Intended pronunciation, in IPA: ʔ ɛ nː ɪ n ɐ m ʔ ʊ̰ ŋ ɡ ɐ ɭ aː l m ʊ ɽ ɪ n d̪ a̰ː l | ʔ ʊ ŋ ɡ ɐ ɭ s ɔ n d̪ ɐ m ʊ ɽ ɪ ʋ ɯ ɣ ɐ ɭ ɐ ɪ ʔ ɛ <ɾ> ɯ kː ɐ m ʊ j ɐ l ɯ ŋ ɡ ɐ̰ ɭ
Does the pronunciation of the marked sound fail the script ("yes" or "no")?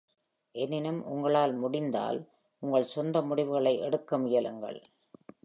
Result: yes